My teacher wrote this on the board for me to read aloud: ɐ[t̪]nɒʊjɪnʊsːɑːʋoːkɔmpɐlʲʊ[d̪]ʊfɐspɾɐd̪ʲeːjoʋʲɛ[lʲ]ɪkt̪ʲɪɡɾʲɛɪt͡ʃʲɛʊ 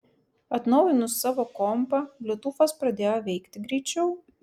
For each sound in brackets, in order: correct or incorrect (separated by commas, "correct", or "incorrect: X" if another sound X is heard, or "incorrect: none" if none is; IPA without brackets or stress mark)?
correct, incorrect: t̪, incorrect: none